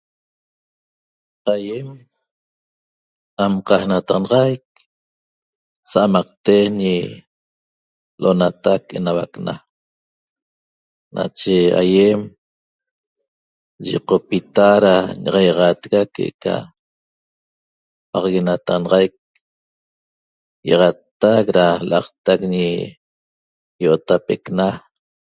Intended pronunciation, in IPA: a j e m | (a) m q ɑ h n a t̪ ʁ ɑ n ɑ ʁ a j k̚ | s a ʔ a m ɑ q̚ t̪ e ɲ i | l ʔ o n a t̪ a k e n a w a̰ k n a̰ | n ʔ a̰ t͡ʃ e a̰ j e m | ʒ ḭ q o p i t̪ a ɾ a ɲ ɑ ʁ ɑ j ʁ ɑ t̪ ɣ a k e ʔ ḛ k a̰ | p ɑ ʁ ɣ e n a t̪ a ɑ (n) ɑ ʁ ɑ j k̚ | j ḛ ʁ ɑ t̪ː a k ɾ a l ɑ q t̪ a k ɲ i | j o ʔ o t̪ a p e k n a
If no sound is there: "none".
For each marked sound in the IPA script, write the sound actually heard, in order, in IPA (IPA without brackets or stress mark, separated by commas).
a, n